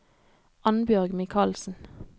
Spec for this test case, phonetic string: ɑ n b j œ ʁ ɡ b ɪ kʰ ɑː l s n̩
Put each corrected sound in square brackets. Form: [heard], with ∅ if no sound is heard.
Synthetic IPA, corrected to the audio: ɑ n b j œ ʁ ɡ [m] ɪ kʰ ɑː l s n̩

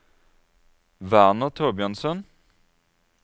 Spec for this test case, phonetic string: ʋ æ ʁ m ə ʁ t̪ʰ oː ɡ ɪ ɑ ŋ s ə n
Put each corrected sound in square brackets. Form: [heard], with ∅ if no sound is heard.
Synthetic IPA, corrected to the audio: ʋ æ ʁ [n] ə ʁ t̪ʰ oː [b] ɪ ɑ [n] s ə n

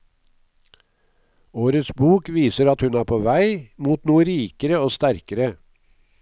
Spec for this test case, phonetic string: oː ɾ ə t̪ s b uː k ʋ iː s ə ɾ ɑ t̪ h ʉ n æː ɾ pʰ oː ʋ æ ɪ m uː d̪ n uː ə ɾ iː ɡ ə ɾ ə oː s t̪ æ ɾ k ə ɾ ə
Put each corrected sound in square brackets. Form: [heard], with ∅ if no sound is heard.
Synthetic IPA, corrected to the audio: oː ɾ ə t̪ s b uː k ʋ iː s ə ɾ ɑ t̪ h ʉ n æː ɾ pʰ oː ʋ æ ɪ m uː [t̪] n uː ə ɾ iː [k] ə ɾ ə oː s t̪ æ ɾ k ə ɾ ə

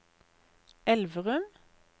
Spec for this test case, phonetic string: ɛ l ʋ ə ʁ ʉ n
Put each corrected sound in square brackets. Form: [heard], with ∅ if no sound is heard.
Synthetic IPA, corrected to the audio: ɛ l ʋ ə ʁ ʉ [m]

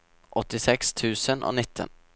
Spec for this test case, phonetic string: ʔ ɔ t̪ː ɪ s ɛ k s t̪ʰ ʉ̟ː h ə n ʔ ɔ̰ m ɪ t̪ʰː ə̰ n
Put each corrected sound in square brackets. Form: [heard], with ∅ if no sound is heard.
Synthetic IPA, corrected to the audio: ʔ ɔ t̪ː ɪ s ɛ k s t̪ʰ ʉ̟ː [s] ə n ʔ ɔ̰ [n] ɪ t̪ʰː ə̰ n

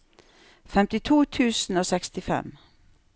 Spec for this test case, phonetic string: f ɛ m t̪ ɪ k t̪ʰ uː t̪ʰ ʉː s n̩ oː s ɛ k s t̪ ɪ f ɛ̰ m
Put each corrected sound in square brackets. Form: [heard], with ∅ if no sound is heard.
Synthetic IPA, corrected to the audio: f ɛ m t̪ ɪ [∅] t̪ʰ uː t̪ʰ ʉː s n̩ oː s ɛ k s t̪ ɪ f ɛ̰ m

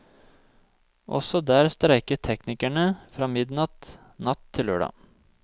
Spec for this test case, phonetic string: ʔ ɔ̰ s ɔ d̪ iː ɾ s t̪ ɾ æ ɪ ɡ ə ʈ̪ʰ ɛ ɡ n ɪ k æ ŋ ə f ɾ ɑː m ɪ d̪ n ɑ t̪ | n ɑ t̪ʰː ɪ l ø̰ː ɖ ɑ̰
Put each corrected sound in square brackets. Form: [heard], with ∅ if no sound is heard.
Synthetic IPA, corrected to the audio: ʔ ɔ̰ s ɔ d̪ [æː] ɾ s t̪ ɾ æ ɪ [k] ə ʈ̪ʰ ɛ [k] n ɪ k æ [ɳ] ə f ɾ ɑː m ɪ d̪ n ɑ t̪ | n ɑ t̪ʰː ɪ l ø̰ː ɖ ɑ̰

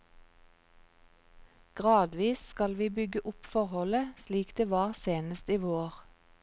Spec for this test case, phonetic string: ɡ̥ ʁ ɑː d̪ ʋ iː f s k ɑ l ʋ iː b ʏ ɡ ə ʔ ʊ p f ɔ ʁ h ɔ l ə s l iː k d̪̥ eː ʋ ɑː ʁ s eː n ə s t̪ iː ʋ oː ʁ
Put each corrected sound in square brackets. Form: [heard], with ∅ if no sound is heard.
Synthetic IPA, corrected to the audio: ɡ̥ ʁ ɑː d̪ ʋ iː [s] s k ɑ l ʋ iː b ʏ ɡ ə ʔ ʊ p f ɔ ʁ h ɔ l ə s l iː k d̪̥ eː ʋ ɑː ʁ s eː n ə s t̪ iː ʋ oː ʁ

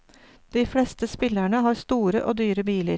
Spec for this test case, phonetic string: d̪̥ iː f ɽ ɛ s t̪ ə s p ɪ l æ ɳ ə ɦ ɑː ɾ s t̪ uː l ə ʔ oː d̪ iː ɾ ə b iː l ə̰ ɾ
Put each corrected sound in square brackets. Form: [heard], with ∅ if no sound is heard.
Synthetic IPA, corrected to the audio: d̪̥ iː f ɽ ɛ s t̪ ə s p ɪ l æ ɳ ə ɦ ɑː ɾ s t̪ uː [ɾ] ə ʔ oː d̪ [yː] ɾ ə b iː l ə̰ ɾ

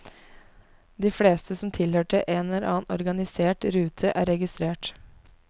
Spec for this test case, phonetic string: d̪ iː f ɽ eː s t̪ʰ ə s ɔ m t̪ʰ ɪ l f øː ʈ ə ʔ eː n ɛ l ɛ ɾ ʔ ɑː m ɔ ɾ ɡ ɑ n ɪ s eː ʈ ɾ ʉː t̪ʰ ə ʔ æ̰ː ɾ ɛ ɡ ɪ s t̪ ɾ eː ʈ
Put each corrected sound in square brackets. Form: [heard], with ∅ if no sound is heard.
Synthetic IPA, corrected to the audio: d̪ iː f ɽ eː s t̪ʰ ə s ɔ m t̪ʰ ɪ l [h] øː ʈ ə ʔ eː n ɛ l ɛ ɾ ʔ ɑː [n] ɔ ɾ ɡ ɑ n ɪ s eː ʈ ɾ ʉː t̪ʰ ə ʔ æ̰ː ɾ ɛ ɡ ɪ s t̪ ɾ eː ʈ

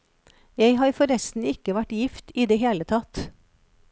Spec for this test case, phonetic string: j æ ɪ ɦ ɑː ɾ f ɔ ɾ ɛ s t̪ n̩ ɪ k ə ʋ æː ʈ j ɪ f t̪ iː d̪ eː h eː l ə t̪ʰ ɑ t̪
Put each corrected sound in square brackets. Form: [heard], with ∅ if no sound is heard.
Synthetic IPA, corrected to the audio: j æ ɪ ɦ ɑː ɾ f ɔ ɾ ɛ s t̪ n̩ ɪ k ə ʋ [æ] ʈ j ɪ f t̪ iː d̪ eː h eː l ə t̪ʰ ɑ t̪

